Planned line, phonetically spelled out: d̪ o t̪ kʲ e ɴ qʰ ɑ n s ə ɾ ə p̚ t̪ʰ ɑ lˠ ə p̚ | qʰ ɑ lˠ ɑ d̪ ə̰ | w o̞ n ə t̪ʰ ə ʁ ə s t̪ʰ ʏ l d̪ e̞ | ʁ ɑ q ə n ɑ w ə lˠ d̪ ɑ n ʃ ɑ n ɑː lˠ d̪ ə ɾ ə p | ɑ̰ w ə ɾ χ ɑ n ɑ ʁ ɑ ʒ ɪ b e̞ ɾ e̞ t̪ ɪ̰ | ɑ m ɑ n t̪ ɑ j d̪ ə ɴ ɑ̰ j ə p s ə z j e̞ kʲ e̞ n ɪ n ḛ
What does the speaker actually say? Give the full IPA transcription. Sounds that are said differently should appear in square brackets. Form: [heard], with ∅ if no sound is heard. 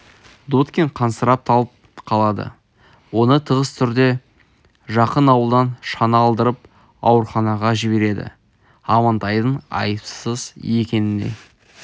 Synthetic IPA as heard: d̪ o t̪ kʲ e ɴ qʰ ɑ n s ə ɾ [ɑ] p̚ t̪ʰ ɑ lˠ ə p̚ | qʰ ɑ lˠ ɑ d̪ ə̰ | w o̞ n ə t̪ʰ ə ʁ ə s t̪ʰ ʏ [ɾ] d̪ e̞ | [ʒ] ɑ q ə n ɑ w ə lˠ d̪ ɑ n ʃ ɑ n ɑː lˠ d̪ ə ɾ ə p | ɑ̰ w ə ɾ χ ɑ n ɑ ʁ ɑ ʒ ɪ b e̞ ɾ e̞ [d̪] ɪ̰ | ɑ m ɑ n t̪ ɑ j d̪ ə ɴ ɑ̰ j ə p s ə z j e̞ kʲ e̞ n ɪ n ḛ